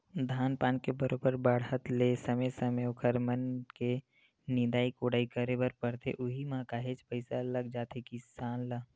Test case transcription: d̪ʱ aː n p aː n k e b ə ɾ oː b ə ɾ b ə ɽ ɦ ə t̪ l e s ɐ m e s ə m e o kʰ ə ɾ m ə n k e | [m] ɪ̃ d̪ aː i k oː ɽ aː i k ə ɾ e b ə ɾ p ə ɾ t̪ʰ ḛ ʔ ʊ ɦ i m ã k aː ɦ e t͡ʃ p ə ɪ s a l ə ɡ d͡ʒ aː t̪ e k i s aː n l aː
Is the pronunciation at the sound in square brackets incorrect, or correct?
incorrect